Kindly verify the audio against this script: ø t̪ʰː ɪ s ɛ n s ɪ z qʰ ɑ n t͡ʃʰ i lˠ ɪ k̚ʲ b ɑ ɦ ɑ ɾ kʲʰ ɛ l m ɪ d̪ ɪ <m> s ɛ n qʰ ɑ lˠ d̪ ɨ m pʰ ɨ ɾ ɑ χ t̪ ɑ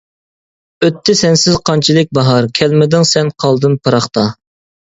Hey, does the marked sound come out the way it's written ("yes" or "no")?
no